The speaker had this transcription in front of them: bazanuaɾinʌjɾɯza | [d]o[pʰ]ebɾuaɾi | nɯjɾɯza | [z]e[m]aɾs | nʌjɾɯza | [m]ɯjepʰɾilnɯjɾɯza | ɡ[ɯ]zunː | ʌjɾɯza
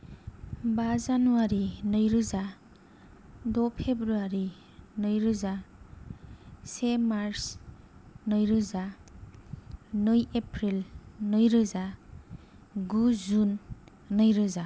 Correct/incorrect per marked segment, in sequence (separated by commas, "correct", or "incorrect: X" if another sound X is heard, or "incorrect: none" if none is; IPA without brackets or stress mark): correct, correct, incorrect: s, correct, incorrect: n, incorrect: u